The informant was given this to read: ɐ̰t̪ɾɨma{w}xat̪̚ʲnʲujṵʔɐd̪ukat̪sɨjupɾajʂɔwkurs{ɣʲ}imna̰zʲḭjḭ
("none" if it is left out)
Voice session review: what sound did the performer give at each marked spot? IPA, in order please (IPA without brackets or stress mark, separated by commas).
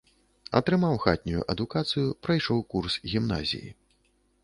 w, ɣʲ